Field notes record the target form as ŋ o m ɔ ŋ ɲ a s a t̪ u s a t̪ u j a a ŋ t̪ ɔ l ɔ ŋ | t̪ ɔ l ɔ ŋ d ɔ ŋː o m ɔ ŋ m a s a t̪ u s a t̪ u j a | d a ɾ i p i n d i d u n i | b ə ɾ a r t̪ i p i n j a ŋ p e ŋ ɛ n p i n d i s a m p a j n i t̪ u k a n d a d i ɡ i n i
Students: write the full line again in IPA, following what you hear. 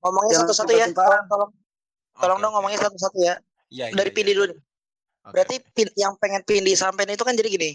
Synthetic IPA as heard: ŋ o m ɔ ŋ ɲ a s a t̪ u s a t̪ u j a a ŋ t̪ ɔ l ɔ ŋ | t̪ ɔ l ɔ ŋ d ɔ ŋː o m ɔ ŋ ɲ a s a t̪ u s a t̪ u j a | d a ɾ i p i n d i d u n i | b ə ɾ a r t̪ i p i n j a ŋ p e ŋ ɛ n p i n d i s a m p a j n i t̪ u k a n d͡ʒ a d i ɡ i n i